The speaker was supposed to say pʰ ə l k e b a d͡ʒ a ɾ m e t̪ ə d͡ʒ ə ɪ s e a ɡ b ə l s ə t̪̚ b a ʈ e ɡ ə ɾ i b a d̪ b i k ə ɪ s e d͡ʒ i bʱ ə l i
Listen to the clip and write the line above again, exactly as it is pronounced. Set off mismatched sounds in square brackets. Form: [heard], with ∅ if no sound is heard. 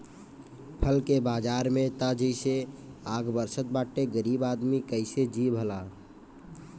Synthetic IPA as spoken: pʰ ə l k e b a d͡ʒ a ɾ m e t̪ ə d͡ʒ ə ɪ s e a ɡ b ə [ɾ] s ə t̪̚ b a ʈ e ɡ ə ɾ i b a d̪ [m] i k ə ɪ s e d͡ʒ i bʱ ə l [a]